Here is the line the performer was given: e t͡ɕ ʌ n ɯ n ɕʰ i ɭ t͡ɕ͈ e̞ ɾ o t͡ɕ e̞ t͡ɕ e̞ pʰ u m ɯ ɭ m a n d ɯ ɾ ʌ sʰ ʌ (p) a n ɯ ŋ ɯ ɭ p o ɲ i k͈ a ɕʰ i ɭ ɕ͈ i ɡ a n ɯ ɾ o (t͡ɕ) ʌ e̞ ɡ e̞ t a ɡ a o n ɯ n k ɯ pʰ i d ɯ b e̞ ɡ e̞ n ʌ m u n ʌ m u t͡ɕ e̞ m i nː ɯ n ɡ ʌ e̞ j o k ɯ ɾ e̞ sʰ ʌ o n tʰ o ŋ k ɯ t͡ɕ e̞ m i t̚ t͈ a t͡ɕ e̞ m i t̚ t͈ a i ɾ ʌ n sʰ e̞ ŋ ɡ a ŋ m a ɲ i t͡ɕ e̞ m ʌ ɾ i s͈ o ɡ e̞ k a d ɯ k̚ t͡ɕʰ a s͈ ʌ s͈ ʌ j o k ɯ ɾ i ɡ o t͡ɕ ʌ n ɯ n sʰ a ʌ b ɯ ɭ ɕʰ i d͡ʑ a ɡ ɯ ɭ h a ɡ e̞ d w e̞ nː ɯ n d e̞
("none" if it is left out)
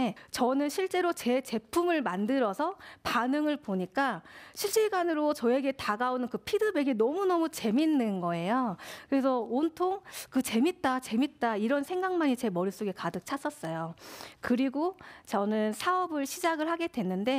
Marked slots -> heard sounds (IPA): p, t͡ɕ

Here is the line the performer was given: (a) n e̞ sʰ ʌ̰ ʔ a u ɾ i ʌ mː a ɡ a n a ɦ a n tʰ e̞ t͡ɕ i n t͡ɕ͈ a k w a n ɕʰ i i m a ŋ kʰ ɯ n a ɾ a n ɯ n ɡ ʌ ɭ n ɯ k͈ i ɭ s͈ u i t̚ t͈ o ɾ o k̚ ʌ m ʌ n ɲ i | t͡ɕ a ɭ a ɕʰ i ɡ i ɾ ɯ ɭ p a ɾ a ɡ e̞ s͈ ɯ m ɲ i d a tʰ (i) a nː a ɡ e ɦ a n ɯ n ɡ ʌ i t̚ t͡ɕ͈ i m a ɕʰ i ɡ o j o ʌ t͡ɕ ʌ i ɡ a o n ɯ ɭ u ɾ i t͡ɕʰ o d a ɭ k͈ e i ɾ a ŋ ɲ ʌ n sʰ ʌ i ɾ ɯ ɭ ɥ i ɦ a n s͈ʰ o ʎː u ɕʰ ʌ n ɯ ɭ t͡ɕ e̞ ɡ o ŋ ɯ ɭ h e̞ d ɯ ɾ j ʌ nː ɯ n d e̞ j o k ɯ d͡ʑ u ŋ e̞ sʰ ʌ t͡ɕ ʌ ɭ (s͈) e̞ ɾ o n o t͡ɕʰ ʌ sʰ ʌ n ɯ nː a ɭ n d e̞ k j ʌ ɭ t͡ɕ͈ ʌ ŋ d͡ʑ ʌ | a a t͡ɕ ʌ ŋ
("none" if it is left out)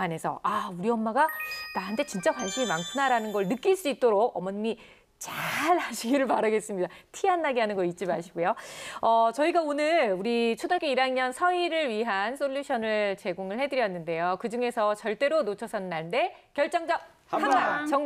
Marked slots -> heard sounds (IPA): a, i, t͈

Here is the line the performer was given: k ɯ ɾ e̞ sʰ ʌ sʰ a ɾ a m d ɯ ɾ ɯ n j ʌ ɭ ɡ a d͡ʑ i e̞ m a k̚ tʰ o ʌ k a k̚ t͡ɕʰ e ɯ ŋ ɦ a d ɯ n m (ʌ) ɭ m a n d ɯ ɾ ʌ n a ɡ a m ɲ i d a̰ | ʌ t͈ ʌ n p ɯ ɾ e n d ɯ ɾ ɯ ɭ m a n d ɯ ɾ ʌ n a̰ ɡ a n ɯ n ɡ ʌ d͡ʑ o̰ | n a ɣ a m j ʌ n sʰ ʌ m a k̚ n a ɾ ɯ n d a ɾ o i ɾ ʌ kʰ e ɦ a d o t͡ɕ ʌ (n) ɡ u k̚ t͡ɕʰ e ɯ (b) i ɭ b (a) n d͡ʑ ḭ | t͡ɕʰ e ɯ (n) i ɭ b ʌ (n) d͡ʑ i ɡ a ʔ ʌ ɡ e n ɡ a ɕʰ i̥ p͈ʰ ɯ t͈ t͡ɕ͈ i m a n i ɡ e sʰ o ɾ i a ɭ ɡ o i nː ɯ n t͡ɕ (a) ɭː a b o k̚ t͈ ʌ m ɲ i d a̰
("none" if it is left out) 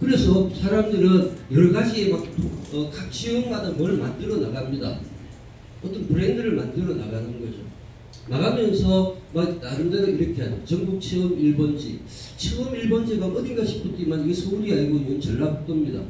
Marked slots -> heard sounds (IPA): ʌ, ŋ, m, ʌ, m, n, ʌ

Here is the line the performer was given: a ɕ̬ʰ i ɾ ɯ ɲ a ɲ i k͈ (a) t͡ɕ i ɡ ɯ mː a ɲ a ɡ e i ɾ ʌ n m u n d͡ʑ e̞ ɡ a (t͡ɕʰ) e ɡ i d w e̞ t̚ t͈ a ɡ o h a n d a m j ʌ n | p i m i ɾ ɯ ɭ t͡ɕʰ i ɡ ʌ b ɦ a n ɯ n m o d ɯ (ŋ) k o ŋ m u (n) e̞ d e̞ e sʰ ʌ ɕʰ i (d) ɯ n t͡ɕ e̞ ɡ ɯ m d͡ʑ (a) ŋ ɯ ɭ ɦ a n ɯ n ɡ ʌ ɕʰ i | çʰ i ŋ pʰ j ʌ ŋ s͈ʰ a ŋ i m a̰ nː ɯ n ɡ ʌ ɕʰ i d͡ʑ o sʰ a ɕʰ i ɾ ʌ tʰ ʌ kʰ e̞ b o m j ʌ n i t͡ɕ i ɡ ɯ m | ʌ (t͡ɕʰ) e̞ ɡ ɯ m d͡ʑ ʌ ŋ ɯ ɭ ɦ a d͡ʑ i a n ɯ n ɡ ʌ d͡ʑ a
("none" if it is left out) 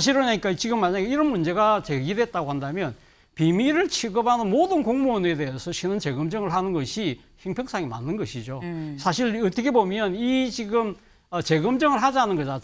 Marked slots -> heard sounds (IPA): a, t͡ɕ, n, n, n, ʌ, t͡ɕ

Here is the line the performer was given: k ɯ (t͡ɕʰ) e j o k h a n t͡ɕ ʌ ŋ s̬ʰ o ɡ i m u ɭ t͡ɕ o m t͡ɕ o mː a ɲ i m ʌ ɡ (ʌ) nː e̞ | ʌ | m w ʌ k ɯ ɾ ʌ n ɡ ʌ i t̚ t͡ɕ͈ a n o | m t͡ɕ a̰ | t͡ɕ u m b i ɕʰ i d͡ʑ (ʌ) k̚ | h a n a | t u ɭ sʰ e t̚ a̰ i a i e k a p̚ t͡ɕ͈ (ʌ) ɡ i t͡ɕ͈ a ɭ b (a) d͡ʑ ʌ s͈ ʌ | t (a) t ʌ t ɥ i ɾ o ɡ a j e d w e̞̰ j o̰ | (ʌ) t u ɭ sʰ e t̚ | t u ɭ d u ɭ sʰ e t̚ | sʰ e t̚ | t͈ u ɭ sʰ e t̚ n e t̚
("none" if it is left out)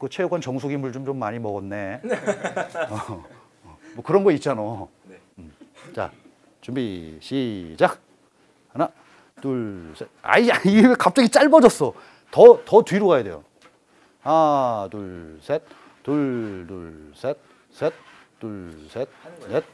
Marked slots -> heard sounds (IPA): t͡ɕʰ, ʌ, a, a, ʌ, ʌ, a

